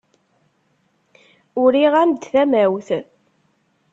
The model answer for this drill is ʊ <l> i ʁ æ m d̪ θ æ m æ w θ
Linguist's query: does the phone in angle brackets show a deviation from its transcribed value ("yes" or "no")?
yes